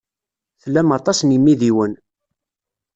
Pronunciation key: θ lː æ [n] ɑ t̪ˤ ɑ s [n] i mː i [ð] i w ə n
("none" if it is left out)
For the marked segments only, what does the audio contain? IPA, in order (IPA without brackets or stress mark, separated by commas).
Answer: m, n, ð